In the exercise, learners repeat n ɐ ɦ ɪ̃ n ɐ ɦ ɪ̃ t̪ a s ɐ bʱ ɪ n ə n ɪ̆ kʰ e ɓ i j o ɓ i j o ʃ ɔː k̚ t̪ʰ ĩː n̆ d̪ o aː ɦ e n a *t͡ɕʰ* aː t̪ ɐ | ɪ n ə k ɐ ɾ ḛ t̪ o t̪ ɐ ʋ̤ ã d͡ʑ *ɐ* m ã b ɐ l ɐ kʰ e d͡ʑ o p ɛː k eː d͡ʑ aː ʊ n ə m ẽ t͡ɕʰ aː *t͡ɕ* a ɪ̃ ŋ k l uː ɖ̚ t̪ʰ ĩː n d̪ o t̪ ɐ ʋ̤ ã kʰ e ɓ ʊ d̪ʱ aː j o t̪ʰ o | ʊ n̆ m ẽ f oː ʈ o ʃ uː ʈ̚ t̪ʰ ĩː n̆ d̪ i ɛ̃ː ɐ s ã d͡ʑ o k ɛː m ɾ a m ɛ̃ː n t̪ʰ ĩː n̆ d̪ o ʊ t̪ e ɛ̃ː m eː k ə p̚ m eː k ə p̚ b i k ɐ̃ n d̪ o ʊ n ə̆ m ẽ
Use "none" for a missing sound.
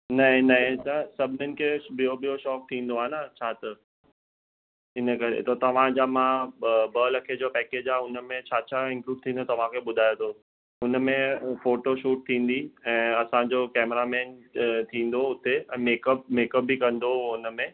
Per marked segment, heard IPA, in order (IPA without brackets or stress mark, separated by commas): t͡ɕʰ, a, t͡ɕʰ